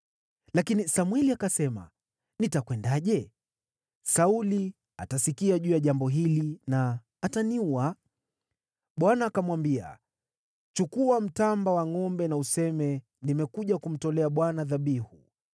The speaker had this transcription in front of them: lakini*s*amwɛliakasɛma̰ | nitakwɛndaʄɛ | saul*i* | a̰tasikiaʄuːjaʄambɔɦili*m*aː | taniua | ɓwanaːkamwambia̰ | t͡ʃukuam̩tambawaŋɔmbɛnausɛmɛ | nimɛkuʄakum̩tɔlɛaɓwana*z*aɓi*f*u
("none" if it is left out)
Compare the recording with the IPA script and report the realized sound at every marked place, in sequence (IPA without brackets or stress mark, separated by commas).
s, i, n, ð, h